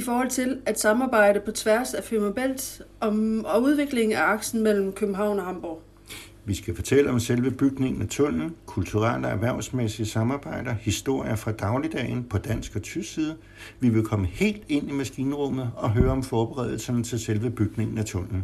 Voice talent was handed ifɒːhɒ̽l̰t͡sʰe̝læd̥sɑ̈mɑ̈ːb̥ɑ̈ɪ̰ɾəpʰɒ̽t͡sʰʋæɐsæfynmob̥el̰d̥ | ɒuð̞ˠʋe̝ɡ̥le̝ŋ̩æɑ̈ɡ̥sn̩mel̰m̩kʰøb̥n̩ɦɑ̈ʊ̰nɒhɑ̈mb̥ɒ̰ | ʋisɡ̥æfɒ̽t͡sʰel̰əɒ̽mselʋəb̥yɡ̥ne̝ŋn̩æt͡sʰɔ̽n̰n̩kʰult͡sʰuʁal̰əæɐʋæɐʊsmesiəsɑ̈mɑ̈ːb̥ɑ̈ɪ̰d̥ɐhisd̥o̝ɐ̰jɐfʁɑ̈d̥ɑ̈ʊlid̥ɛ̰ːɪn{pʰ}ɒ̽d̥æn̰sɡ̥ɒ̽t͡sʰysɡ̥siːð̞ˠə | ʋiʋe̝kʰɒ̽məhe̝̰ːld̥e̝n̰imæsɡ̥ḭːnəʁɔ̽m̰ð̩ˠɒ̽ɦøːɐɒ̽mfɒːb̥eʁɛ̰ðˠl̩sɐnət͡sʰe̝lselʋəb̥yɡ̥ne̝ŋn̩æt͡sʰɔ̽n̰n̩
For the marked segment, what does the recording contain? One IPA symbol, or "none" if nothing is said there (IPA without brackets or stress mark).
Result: pʰ